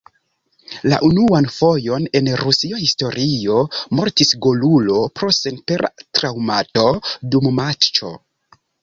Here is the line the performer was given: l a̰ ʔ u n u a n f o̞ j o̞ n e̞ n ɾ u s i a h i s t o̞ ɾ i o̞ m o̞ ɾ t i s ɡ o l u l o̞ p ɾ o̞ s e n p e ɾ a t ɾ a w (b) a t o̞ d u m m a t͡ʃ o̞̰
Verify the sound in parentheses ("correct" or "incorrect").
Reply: incorrect